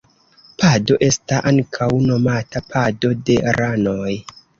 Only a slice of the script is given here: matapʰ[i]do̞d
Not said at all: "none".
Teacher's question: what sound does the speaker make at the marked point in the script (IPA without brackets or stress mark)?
a